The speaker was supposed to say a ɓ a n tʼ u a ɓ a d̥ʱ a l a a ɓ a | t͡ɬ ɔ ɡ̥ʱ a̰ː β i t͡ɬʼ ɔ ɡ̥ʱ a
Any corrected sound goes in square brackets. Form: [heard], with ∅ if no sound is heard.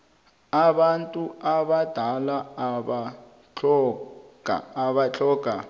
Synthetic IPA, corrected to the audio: a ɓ a n tʼ u a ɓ a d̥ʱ a l a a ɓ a | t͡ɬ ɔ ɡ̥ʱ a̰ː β [a] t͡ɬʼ ɔ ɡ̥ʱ a